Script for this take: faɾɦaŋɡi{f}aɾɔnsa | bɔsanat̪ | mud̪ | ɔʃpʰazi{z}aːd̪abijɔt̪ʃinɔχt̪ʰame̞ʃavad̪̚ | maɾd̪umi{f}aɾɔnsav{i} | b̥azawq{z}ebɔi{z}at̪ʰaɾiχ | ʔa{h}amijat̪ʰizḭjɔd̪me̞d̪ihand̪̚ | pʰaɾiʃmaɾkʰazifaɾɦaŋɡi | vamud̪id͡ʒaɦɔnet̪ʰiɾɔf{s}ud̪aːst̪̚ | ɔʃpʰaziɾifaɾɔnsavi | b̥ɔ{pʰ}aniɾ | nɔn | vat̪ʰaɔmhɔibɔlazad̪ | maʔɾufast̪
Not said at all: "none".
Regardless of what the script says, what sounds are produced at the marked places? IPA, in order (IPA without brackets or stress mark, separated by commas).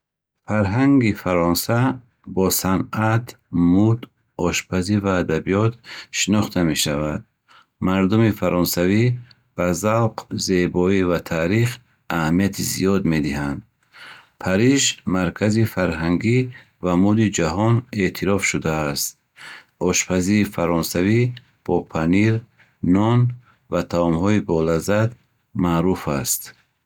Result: f, v, f, i, z, v, h, ʃ, pʰ